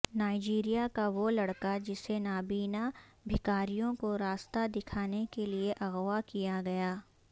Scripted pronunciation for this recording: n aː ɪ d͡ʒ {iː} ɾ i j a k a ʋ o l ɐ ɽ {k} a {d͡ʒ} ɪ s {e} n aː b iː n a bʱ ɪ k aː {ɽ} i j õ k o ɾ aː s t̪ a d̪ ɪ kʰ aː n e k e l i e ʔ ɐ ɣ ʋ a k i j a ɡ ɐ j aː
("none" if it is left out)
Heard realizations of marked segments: iː, k, d͡ʒ, e, ɾ

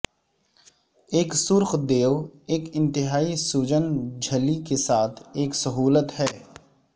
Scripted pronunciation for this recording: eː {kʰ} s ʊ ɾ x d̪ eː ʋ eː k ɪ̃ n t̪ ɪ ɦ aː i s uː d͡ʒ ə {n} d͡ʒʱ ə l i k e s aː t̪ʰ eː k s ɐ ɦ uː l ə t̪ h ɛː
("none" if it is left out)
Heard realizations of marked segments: k, n

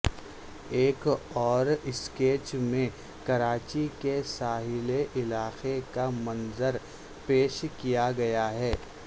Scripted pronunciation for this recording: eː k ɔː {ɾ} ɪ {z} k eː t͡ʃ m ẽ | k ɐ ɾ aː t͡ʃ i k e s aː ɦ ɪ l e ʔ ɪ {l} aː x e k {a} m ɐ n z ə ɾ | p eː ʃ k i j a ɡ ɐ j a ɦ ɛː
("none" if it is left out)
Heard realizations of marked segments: ɾ, s, l, a

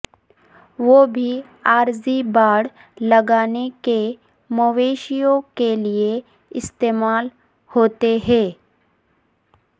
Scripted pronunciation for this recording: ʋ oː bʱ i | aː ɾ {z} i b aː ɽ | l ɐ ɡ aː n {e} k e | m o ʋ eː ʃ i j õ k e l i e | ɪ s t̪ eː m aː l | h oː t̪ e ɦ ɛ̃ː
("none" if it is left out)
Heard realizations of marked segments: z, e

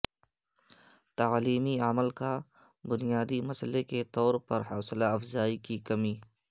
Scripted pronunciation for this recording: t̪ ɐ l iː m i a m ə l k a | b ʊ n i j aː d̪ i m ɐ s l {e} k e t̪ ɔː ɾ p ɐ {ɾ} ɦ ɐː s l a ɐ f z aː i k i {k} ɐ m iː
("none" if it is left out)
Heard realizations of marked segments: e, ɾ, k

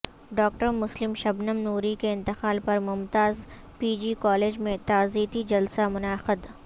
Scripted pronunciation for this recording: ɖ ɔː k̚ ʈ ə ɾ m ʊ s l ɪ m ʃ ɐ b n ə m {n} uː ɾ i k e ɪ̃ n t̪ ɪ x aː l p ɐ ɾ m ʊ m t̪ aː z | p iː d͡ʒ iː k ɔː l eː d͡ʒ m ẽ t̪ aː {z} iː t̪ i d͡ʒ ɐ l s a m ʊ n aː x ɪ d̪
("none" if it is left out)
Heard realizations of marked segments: n, z

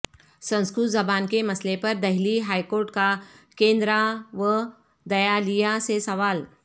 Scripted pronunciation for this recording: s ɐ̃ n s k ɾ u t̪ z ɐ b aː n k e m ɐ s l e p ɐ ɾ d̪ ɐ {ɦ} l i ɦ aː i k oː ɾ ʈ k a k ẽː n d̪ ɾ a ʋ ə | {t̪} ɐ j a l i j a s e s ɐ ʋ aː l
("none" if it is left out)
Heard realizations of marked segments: ɦ, d̪

